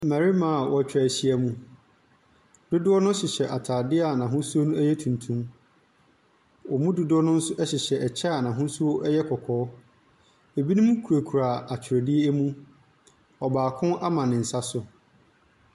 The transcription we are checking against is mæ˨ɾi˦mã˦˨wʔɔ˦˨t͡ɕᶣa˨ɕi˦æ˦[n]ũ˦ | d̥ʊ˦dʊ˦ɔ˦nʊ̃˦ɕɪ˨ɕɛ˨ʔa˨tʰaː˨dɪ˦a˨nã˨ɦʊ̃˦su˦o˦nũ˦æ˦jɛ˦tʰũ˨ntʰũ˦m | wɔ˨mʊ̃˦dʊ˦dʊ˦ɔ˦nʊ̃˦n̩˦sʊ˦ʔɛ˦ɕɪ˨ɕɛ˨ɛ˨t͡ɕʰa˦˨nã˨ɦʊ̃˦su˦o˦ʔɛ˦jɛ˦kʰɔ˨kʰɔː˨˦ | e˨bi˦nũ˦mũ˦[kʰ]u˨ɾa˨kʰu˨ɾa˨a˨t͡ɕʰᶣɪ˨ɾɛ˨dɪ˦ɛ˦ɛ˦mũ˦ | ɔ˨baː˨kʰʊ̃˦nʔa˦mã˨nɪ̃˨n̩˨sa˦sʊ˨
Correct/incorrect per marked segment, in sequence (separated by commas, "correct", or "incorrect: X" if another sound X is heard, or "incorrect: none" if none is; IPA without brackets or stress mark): incorrect: m, correct